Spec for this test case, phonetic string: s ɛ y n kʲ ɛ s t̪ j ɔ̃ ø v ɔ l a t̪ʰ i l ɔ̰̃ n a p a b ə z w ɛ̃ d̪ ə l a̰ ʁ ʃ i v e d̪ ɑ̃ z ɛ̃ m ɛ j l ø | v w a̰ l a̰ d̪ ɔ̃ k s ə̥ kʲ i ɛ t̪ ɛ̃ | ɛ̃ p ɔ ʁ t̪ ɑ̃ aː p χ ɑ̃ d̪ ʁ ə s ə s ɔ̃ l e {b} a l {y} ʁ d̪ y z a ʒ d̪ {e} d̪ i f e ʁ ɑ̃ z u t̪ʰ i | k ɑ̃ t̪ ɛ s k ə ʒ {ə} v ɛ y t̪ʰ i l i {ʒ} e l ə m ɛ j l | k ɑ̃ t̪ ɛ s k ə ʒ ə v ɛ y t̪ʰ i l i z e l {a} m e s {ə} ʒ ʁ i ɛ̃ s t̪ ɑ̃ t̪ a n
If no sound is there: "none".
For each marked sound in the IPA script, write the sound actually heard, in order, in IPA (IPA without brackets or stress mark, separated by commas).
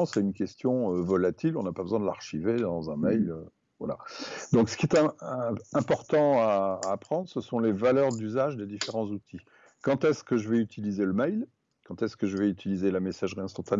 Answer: v, œ, e, ə, z, a, a